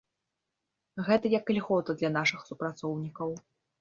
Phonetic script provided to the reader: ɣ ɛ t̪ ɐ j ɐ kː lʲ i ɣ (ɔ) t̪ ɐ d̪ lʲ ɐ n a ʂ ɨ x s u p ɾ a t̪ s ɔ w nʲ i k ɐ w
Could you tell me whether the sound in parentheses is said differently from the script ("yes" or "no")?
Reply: no